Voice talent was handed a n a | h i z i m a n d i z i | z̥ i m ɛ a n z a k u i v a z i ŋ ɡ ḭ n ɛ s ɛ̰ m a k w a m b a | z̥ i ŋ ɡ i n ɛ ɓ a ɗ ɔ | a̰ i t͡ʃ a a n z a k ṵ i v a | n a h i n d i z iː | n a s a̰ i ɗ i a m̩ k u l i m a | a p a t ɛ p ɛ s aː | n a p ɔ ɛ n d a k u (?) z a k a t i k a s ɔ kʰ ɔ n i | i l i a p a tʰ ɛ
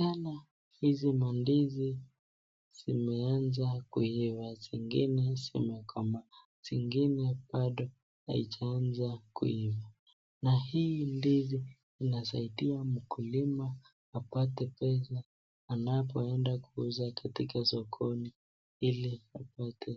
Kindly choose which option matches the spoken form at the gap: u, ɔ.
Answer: u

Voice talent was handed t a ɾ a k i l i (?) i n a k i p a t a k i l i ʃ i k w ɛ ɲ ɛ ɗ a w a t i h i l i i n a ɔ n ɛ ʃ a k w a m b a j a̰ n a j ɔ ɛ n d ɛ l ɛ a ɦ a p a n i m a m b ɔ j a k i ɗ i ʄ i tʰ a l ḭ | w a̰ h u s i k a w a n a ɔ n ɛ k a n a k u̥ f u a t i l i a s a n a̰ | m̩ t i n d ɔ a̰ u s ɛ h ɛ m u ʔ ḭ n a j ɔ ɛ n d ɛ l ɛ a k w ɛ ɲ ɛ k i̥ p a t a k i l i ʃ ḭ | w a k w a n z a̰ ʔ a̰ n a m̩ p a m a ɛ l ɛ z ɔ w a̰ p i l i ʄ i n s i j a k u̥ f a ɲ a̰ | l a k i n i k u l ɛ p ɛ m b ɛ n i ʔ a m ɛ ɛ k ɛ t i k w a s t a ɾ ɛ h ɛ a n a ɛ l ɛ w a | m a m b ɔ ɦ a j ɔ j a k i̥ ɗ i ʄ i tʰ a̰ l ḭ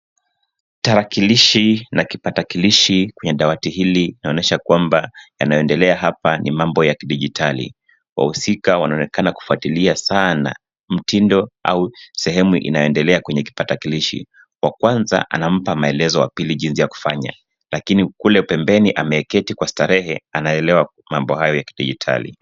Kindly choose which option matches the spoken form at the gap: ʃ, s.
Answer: ʃ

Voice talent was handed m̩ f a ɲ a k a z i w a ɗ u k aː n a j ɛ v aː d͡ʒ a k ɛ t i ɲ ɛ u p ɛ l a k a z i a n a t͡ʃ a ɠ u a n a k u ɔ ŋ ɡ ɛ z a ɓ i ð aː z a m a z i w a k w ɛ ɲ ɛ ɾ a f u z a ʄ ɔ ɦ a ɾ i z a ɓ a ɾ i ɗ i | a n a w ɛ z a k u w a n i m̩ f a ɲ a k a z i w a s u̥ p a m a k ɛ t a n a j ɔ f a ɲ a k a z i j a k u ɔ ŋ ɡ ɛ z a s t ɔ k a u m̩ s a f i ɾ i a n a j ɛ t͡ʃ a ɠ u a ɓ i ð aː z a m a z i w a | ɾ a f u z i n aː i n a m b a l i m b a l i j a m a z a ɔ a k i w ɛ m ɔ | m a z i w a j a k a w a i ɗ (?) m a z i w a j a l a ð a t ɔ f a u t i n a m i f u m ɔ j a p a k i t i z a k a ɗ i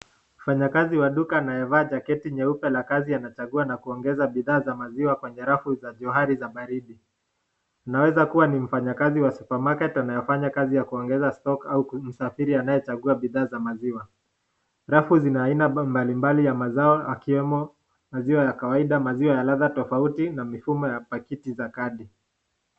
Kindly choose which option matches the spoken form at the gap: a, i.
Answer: a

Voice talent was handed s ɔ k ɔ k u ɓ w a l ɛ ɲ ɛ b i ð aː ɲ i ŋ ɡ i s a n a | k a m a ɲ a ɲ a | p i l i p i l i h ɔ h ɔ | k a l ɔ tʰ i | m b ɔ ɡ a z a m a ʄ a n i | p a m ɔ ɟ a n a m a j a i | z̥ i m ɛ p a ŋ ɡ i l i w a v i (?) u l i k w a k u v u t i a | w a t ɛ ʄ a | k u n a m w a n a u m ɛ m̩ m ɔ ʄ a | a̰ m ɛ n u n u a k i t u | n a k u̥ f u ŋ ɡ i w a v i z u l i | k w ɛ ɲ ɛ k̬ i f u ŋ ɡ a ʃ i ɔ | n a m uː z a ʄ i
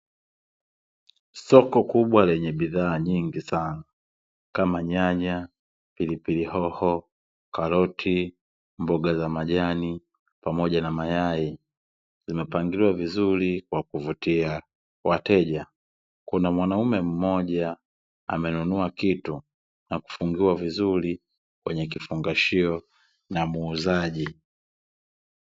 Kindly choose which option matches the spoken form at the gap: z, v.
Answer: z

